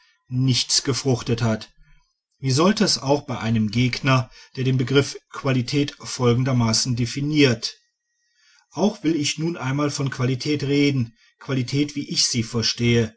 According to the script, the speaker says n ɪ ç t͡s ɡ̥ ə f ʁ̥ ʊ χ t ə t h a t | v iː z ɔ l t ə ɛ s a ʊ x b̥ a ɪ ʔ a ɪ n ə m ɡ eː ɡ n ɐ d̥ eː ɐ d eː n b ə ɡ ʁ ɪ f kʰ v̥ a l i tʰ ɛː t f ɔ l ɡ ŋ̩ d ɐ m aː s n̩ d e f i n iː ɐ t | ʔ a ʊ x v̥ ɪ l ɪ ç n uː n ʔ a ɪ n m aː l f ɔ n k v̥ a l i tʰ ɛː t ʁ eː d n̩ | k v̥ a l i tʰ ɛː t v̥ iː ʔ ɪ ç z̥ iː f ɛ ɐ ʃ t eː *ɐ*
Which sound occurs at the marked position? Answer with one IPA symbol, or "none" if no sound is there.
ə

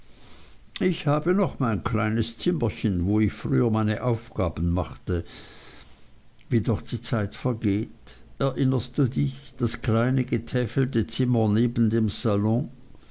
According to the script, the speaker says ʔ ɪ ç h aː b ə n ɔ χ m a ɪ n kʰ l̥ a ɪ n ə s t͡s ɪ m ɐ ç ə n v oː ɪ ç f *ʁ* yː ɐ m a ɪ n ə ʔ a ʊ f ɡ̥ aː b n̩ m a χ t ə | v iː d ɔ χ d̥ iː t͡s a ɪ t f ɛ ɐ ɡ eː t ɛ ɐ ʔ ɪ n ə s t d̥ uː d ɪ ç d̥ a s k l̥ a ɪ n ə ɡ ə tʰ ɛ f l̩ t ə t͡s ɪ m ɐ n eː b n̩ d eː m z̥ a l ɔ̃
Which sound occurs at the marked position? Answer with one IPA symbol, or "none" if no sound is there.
ʁ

